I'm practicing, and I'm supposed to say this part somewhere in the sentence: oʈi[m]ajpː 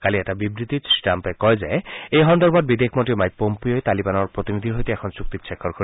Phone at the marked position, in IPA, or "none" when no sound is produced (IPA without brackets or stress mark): m